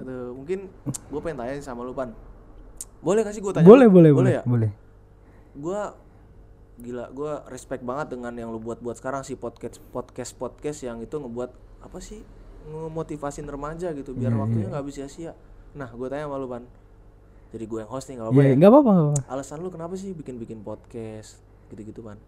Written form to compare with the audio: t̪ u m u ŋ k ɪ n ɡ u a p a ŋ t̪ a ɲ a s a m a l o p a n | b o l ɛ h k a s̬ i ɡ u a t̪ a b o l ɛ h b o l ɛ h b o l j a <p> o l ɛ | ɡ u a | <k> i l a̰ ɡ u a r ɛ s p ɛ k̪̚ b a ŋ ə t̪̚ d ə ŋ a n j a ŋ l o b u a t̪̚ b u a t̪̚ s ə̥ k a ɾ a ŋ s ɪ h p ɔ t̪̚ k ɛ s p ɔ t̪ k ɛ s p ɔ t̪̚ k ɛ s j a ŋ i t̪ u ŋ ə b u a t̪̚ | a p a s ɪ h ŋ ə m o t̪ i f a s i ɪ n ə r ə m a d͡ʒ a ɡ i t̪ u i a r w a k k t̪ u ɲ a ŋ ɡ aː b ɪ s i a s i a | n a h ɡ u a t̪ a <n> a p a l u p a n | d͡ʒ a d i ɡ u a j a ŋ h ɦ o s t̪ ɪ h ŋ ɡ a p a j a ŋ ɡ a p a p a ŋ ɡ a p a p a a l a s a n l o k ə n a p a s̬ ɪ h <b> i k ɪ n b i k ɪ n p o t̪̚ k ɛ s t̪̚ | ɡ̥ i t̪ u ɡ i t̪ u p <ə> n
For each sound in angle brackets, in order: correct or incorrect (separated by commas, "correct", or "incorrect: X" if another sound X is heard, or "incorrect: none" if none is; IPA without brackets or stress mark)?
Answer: incorrect: b, incorrect: ɡ, incorrect: ɲ, correct, incorrect: a